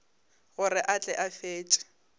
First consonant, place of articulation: velar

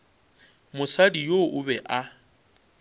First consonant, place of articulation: labial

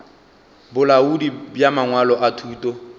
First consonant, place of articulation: labial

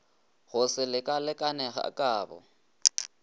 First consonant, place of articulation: velar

